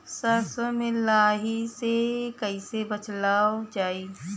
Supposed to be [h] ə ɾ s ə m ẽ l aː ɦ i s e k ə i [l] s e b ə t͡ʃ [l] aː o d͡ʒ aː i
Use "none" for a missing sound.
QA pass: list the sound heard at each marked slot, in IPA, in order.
s, none, l

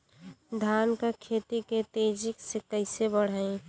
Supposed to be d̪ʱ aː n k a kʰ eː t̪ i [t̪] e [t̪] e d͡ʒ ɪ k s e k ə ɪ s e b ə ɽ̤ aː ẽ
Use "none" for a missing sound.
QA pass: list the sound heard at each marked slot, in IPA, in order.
t̪, t̪

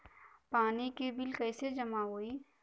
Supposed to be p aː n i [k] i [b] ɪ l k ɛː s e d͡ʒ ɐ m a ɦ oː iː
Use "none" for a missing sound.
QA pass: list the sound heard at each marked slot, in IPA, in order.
k, b

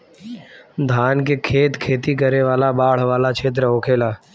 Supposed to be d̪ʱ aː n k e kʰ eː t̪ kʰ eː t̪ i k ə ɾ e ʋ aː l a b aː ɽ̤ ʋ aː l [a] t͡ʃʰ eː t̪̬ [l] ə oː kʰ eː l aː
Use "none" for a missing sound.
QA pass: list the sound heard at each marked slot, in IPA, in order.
a, ɾ

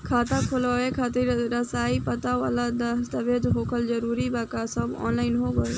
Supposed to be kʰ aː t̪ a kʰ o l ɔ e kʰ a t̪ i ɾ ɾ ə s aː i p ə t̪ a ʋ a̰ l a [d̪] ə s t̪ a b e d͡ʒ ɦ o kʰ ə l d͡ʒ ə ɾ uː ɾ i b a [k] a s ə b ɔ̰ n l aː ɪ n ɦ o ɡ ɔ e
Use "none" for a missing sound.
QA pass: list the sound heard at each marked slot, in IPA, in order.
d̪, k

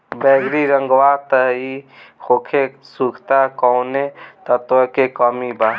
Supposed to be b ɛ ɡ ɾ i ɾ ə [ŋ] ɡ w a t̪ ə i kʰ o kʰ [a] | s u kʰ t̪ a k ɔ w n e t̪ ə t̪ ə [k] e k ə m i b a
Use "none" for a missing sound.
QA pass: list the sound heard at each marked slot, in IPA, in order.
ŋ, e, k

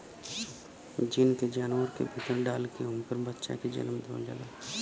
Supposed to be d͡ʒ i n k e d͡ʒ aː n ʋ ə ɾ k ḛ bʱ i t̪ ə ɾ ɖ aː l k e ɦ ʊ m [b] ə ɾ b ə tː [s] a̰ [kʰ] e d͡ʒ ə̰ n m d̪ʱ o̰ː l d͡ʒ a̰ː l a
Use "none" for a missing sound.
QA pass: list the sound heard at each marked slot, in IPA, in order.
p, ʃ, k

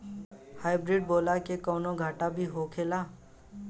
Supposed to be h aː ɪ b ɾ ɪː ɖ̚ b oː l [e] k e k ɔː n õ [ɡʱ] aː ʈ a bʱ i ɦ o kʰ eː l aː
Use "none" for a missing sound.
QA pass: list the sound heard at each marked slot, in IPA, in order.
a, ɡʱ

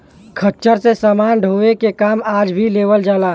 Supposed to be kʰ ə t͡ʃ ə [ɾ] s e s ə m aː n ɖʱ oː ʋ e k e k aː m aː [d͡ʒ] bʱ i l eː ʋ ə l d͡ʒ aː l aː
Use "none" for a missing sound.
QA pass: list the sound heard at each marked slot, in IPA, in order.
ɾ, d͡ʒ

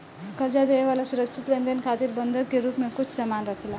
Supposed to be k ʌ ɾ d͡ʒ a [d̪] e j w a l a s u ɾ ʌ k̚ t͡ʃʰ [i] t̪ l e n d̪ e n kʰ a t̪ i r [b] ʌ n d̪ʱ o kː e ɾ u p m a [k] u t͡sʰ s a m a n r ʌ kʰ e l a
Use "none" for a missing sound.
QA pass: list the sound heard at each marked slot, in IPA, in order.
d̪, i, b, k

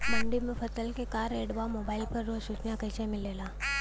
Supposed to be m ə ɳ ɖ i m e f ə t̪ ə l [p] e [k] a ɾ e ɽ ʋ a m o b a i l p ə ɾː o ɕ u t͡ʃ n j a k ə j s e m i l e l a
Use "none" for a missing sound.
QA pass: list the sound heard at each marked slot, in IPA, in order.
k, k

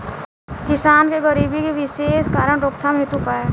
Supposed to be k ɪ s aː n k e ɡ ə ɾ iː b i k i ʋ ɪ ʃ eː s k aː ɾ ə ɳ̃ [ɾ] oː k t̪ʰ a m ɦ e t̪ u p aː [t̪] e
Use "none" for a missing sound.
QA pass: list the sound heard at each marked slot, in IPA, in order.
ɾ, none

